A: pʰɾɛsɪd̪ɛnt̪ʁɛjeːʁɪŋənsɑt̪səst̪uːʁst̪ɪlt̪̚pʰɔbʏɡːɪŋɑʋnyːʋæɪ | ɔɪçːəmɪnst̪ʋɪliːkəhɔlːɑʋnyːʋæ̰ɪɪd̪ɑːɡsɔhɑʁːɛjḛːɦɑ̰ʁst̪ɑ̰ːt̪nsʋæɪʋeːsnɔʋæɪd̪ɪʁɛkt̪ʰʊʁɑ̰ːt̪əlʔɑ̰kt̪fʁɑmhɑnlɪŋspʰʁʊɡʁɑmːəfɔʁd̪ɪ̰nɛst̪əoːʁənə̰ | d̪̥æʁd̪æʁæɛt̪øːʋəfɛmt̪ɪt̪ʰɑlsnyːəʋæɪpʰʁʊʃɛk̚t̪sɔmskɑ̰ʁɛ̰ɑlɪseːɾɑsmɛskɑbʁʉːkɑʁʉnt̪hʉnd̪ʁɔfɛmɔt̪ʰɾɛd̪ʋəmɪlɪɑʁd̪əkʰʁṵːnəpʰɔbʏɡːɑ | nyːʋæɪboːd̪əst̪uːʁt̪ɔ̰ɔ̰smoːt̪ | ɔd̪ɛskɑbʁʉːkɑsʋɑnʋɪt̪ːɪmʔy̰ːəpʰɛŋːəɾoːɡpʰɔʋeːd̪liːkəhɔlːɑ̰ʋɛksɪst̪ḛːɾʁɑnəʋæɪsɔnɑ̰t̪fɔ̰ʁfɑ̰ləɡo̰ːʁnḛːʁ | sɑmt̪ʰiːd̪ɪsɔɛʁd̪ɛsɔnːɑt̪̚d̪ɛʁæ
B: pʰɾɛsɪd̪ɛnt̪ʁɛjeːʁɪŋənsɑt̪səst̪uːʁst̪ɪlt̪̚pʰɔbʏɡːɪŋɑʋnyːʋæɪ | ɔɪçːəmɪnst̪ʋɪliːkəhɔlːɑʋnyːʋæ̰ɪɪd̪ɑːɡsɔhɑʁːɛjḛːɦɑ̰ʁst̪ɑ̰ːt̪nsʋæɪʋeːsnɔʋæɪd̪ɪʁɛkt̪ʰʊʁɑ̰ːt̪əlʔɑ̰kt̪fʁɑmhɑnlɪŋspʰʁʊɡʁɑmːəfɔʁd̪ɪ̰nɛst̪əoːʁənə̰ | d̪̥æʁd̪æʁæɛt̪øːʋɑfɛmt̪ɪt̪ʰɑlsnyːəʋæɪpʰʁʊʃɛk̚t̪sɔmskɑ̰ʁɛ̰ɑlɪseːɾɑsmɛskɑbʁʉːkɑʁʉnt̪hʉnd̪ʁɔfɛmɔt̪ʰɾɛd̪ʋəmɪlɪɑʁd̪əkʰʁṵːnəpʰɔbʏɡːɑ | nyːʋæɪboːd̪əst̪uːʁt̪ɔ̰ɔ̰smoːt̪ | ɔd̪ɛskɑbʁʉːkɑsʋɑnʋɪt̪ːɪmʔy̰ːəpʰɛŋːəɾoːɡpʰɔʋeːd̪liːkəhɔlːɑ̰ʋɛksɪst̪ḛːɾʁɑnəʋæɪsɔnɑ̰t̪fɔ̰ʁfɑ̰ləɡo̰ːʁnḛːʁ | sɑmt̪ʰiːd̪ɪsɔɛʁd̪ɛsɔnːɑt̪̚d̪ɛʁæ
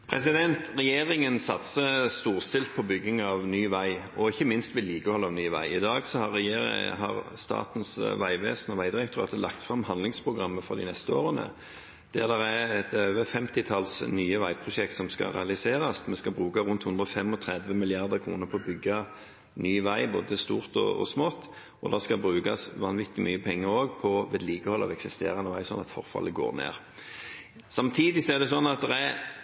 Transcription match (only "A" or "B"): A